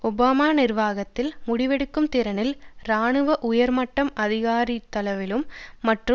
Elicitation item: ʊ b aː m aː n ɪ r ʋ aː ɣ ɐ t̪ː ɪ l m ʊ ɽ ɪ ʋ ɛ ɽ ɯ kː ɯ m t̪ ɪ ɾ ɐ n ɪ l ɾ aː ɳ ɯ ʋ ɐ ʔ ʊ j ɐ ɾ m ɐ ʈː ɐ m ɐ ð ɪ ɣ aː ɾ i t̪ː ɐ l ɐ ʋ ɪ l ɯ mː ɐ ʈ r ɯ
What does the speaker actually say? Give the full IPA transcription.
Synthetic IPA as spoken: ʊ b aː m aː n ɪ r ʋ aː ɣ ɐ t̪ː ɪ l m ʊ ɽ ɪ ʋ ɛ ɽ ɯ kː ɯ m t̪ ɪ ɾ ɐ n ɪ l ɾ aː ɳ ɯ ʋ ɐ ʔ ʊ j ɐ ɾ m ɐ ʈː ɐ m ɐ ð ɪ ɣ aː ɾ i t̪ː ɐ l ɐ ʋ ɪ l ɯ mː ɐ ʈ r ɯ